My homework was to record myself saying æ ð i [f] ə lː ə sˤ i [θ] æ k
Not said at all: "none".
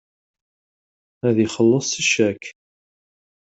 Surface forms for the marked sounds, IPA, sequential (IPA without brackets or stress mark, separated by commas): χ, ʃ